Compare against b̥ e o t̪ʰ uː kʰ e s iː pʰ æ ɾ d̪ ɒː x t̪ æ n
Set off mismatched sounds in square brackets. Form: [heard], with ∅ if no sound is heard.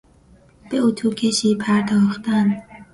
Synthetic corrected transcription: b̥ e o t̪ʰ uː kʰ e [ʃ] iː pʰ æ ɾ d̪ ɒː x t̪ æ n